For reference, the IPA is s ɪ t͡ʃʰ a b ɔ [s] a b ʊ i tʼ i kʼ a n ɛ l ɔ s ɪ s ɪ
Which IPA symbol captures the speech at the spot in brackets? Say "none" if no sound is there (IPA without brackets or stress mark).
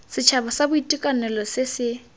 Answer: s